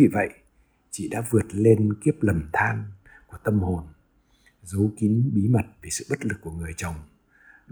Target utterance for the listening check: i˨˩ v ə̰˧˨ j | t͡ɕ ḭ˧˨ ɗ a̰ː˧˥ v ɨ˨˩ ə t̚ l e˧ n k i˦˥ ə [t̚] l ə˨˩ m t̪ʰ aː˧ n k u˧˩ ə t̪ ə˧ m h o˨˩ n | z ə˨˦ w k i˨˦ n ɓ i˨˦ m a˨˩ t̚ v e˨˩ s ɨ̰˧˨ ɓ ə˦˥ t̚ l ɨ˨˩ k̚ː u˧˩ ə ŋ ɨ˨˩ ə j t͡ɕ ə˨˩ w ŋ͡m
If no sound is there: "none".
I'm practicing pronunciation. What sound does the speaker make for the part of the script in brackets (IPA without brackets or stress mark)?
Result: p̚